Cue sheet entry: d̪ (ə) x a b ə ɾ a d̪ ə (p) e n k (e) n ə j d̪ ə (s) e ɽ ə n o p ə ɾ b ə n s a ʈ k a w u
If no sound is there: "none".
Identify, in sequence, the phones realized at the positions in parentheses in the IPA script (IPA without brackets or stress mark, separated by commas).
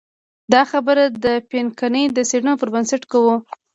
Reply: ɑ, p, a, s